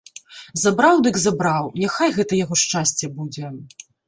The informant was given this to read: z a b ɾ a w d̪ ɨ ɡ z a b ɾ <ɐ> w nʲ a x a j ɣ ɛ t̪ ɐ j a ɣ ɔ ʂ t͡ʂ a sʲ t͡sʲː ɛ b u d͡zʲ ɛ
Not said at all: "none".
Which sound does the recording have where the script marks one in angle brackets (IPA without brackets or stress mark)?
a